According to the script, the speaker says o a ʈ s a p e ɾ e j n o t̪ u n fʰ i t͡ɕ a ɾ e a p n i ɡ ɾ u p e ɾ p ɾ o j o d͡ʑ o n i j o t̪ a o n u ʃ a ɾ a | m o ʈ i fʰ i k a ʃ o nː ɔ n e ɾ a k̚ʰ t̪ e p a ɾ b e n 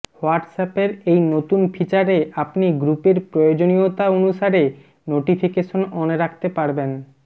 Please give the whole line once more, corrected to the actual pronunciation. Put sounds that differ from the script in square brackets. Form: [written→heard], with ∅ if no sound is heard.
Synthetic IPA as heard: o a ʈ s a p e ɾ e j n o t̪ u n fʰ i t͡ɕ a ɾ e a p n i ɡ ɾ u p e ɾ p ɾ o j o d͡ʑ o n i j o t̪ a o n u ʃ a ɾ [a→e] | [m→n] o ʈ i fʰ i k [a→e] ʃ o [nː→n] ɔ n e ɾ a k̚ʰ t̪ e p a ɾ b e n